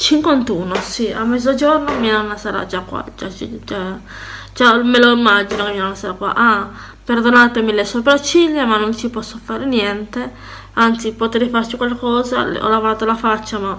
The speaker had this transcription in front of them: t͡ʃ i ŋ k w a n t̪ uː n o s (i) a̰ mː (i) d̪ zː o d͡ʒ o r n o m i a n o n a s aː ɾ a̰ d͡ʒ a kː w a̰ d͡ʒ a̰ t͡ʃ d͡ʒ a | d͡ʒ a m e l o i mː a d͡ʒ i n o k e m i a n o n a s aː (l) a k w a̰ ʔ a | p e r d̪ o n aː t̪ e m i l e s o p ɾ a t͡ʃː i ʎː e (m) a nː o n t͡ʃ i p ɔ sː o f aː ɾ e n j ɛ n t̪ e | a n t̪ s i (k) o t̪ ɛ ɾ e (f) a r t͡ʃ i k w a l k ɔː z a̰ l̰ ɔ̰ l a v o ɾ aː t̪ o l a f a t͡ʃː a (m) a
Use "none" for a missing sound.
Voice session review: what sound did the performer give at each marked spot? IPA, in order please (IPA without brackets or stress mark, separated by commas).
i, ɛ, ɾ, m, p, f, m